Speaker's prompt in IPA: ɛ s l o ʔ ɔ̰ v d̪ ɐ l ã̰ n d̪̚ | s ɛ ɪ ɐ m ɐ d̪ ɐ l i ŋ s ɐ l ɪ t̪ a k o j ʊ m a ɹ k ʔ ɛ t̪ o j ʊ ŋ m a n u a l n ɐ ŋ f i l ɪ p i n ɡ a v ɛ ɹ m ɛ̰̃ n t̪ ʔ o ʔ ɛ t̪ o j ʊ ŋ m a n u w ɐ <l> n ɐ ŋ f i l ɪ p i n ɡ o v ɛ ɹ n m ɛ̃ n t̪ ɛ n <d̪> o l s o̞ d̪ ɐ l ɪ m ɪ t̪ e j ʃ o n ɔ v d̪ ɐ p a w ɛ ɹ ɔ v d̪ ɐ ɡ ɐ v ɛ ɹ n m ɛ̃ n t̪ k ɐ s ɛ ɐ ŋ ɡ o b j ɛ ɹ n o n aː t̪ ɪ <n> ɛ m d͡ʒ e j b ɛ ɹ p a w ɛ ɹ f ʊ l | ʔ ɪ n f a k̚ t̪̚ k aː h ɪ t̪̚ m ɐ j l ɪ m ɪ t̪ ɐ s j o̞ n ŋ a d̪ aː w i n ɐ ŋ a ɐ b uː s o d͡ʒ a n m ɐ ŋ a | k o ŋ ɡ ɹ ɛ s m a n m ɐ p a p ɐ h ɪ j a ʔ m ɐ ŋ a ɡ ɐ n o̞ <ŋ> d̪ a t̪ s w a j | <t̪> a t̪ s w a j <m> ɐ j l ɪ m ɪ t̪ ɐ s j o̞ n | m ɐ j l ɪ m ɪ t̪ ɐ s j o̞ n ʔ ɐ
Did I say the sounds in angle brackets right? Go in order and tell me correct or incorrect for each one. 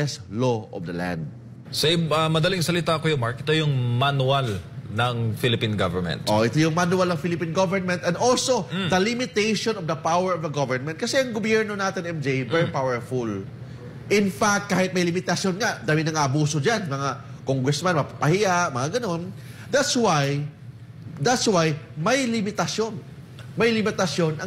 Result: correct, correct, correct, incorrect, incorrect, correct

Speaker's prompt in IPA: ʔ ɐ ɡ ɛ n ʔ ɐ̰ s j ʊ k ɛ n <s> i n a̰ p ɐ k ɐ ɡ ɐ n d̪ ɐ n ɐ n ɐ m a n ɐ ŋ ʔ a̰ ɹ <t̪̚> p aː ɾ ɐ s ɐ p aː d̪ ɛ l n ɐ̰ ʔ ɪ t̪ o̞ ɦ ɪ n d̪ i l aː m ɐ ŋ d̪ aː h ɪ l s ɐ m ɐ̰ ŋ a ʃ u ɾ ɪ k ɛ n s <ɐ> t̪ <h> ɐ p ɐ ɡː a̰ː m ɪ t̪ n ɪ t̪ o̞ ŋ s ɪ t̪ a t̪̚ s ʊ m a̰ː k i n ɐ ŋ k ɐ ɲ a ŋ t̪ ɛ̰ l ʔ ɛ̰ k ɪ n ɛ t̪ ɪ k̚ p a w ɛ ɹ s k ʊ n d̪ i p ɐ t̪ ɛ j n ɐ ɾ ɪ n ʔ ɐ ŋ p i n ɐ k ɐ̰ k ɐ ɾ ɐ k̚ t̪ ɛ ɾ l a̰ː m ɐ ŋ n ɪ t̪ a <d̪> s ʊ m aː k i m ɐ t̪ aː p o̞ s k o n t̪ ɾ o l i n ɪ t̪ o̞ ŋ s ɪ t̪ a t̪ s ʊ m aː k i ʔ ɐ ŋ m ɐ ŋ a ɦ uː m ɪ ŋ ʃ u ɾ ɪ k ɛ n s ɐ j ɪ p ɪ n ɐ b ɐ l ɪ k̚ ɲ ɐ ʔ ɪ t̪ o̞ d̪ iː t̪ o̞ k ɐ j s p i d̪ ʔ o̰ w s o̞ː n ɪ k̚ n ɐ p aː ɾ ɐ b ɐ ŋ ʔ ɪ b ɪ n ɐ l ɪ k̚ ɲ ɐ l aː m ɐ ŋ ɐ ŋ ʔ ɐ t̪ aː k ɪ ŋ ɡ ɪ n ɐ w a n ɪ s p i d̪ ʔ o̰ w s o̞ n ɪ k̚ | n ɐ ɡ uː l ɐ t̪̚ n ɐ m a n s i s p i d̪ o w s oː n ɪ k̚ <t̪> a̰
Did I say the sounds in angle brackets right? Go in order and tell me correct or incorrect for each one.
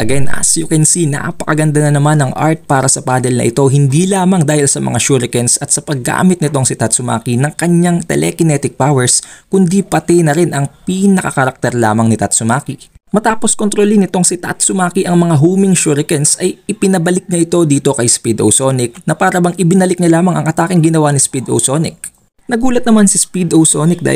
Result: correct, correct, correct, incorrect, incorrect, incorrect

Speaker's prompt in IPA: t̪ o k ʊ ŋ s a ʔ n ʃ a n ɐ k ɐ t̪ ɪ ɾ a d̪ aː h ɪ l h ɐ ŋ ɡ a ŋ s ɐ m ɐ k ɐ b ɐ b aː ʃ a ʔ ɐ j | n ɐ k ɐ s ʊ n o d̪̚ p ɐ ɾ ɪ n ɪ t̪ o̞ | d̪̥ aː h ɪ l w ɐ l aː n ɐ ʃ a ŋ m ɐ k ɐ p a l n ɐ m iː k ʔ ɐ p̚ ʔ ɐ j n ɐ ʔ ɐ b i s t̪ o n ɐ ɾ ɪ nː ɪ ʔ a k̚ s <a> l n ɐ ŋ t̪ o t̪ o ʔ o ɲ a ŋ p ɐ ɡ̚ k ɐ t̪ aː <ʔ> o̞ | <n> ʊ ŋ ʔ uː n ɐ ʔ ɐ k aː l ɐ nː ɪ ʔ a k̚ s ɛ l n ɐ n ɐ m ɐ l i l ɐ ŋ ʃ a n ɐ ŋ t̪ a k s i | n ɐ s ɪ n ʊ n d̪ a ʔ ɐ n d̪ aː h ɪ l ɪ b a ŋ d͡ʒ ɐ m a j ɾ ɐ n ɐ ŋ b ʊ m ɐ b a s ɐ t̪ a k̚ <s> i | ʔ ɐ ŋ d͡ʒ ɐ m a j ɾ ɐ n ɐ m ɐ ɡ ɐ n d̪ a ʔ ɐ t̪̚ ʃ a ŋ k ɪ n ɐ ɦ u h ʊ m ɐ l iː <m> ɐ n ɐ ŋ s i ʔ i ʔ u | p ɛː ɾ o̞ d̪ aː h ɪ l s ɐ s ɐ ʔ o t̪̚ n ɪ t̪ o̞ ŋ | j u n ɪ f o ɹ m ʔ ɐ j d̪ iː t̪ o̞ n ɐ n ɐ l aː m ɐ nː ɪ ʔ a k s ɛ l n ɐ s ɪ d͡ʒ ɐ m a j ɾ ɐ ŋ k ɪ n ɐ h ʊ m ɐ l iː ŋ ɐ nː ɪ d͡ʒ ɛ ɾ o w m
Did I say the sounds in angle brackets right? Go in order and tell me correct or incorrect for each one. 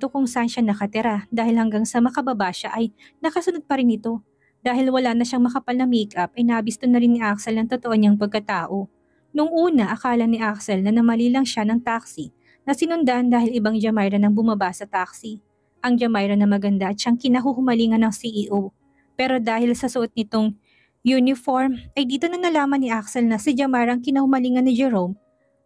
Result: incorrect, correct, correct, correct, incorrect

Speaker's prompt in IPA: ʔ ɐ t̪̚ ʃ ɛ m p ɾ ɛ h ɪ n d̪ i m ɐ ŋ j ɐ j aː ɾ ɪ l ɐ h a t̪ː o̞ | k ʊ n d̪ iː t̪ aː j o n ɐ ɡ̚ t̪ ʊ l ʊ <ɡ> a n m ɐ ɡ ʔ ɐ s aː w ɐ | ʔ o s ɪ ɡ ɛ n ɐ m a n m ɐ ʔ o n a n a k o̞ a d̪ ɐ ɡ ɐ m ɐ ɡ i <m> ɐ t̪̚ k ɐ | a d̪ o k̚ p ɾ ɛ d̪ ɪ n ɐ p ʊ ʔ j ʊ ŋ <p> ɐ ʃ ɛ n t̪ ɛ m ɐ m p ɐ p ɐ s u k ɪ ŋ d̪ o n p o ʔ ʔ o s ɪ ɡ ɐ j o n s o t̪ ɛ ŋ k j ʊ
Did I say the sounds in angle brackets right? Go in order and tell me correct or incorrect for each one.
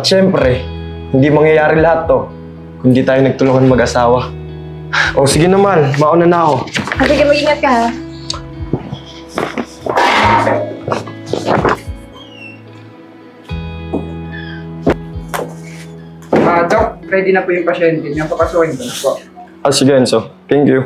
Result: incorrect, incorrect, correct

